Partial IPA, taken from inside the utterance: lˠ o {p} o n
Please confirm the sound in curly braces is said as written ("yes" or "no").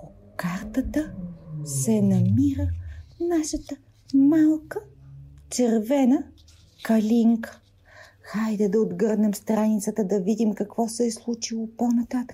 yes